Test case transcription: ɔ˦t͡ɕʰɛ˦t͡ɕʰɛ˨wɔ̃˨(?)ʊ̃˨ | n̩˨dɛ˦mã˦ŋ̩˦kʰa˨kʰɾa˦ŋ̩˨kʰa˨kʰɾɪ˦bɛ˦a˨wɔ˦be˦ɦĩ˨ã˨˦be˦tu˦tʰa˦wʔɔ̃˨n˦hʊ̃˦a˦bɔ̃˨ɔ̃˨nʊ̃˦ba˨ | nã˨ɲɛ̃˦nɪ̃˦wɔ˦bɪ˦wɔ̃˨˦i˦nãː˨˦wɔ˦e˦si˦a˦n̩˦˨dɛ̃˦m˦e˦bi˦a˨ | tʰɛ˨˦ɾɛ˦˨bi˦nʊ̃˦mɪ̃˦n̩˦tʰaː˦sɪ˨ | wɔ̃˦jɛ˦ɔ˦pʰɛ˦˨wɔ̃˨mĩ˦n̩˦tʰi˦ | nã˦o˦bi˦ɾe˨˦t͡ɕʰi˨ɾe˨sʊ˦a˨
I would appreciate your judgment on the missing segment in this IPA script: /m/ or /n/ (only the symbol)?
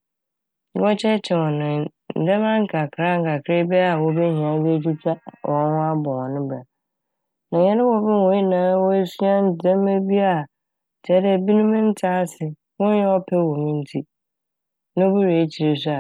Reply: n